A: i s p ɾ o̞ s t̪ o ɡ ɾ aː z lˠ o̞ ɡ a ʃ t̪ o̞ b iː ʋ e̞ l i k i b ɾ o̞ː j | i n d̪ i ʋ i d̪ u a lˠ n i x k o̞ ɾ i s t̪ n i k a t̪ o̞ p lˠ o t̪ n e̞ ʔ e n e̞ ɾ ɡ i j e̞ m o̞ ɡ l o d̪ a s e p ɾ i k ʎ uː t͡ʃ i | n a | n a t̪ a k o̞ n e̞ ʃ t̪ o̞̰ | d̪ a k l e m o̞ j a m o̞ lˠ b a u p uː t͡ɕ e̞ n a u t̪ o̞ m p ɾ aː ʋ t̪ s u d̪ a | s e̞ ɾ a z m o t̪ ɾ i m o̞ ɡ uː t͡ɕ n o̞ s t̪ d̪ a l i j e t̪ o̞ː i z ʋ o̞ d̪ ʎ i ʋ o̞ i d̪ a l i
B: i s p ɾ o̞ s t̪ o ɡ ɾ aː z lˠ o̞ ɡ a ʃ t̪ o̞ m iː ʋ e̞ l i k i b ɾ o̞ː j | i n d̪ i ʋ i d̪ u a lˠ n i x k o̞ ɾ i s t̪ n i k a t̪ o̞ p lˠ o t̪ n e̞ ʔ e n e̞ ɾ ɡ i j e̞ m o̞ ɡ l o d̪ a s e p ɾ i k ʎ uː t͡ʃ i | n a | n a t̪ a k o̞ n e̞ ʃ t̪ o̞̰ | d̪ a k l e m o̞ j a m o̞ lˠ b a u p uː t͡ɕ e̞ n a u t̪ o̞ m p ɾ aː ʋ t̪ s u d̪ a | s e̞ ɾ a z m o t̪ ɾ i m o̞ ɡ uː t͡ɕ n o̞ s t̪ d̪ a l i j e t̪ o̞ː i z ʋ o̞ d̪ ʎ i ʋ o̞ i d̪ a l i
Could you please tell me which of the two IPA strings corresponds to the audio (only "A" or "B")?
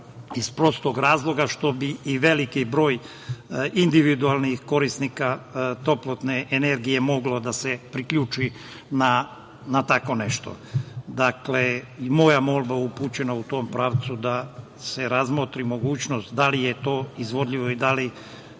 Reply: A